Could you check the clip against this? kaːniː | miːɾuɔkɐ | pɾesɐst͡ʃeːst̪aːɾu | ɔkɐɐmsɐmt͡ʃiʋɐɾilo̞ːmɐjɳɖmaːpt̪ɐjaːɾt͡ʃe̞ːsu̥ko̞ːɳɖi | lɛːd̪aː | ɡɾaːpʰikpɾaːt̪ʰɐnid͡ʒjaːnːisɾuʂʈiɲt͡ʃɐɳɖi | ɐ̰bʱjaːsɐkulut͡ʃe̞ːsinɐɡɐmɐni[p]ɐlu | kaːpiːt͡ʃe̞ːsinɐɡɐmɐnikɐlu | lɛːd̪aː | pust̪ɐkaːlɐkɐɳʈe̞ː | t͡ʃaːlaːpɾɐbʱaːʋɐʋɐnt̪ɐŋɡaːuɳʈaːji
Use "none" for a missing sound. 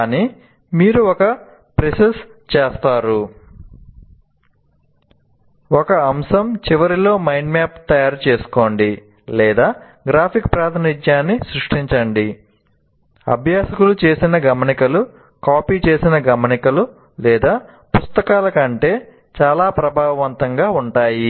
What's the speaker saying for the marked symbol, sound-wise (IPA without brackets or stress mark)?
k